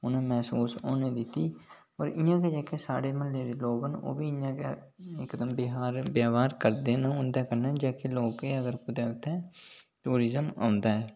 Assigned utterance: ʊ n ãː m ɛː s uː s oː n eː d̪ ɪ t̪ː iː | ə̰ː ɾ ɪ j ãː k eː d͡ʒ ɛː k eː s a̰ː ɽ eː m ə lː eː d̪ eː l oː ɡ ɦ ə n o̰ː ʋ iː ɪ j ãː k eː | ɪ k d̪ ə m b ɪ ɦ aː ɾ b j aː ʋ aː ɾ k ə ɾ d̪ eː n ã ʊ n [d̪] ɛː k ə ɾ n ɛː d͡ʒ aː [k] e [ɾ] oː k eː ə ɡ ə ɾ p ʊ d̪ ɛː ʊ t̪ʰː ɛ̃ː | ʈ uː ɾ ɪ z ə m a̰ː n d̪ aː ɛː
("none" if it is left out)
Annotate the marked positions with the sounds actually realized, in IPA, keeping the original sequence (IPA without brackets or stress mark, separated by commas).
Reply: d̪, k, l